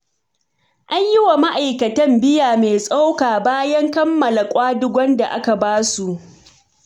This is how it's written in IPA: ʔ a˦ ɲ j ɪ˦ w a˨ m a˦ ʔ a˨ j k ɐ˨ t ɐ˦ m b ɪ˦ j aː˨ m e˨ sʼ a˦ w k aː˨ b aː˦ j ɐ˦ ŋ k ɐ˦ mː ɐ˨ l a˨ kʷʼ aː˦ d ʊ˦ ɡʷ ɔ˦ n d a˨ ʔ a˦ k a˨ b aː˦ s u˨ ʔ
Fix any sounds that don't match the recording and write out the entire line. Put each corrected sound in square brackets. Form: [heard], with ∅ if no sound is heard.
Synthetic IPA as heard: ʔ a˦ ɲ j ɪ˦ w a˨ m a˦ ʔ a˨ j k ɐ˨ t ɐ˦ m b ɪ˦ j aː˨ m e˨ sʼ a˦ w k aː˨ b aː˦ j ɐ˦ ŋ k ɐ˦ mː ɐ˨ l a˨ kʷʼ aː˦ d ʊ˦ ɡʷ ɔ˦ n d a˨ ʔ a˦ k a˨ b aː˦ s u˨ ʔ